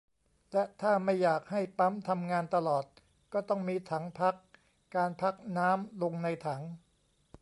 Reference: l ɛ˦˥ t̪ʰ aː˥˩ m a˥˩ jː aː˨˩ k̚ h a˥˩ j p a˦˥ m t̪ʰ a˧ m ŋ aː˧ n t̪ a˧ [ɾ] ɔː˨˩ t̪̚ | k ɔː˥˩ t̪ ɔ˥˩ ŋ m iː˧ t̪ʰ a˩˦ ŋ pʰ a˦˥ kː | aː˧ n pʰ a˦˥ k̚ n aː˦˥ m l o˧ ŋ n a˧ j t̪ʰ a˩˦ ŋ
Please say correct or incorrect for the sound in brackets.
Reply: incorrect